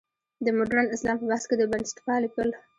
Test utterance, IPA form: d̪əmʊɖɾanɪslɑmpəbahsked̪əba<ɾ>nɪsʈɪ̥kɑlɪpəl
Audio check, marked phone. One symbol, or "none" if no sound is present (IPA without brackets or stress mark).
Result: none